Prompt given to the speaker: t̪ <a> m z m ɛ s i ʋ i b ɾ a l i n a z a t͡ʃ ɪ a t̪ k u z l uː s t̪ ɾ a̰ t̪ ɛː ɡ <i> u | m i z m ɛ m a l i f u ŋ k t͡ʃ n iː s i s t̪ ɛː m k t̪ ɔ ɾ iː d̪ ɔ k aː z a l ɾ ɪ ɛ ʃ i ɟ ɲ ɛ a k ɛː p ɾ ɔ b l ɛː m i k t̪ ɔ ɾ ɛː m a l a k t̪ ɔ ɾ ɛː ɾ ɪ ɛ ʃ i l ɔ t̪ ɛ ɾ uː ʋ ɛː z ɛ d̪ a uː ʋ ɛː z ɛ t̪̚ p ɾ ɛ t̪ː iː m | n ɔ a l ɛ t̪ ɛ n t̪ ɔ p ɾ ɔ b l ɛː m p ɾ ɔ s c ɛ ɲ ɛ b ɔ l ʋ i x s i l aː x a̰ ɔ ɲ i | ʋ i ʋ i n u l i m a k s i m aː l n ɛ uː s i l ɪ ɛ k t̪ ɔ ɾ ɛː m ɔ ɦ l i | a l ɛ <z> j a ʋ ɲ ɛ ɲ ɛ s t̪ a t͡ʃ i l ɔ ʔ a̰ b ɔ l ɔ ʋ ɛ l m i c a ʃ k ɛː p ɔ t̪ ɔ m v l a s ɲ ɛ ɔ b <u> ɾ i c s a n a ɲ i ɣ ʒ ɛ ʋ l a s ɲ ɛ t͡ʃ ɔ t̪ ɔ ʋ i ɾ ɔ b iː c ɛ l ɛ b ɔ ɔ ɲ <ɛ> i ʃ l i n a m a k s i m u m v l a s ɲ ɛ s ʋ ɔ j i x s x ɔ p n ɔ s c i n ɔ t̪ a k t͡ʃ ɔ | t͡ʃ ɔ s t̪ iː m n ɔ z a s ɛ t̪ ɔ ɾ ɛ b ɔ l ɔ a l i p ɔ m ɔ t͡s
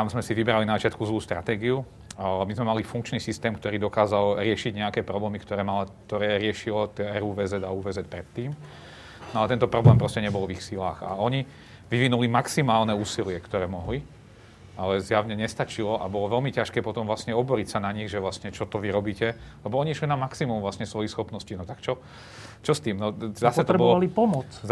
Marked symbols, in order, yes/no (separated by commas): yes, yes, yes, no, no